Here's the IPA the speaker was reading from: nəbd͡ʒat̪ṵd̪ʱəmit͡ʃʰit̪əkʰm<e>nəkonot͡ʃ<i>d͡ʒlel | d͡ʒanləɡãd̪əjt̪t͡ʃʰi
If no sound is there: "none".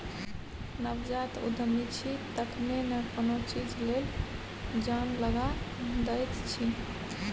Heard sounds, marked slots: e, i

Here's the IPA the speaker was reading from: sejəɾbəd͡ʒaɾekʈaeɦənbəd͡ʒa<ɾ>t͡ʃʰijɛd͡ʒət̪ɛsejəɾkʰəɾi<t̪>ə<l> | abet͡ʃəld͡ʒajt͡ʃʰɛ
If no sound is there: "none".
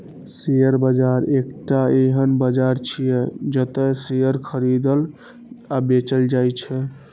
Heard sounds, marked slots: ɾ, d̪, l

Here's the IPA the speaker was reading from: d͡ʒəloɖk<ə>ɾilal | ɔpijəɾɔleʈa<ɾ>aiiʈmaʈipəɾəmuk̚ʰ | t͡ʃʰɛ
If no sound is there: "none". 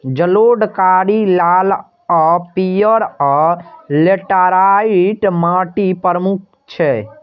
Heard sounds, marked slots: a, ɾ

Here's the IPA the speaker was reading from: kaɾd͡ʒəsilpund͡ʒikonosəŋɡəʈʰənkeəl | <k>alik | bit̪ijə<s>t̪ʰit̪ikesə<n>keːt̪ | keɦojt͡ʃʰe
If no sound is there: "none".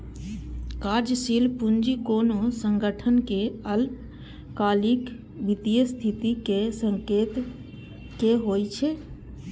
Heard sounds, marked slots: k, s, ŋ

